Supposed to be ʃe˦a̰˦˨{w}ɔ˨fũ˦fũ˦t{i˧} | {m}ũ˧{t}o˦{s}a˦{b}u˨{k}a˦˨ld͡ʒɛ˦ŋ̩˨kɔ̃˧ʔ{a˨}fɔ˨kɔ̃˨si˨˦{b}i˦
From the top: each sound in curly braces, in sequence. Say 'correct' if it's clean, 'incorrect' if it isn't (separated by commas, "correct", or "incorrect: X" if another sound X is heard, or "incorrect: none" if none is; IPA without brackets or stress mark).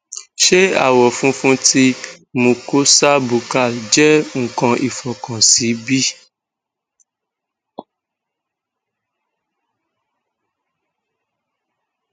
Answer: correct, correct, correct, incorrect: k, correct, correct, correct, incorrect: i˨, correct